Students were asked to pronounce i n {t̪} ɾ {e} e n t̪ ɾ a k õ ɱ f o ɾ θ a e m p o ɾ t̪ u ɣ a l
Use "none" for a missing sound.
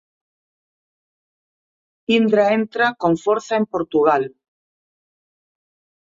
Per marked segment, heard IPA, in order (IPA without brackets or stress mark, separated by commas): d̪, a